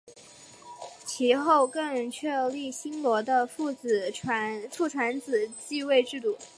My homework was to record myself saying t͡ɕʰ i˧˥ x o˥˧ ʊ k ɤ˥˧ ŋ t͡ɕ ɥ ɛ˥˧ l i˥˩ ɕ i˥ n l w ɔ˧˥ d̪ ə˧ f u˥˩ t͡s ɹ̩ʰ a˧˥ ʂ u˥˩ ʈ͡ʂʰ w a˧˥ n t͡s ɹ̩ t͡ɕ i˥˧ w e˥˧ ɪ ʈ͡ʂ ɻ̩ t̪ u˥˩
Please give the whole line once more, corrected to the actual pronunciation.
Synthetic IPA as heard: t͡ɕʰ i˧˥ x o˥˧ ʊ k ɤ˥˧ ŋ t͡ɕʰ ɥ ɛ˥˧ l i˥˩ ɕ i˥ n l w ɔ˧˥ d̪ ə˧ f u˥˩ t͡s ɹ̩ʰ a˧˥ f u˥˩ ʈ͡ʂʰ w a˧˥ n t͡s ɹ̩ t͡ɕ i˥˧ w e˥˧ ɪ ʈ͡ʂ ɻ̩ t̪ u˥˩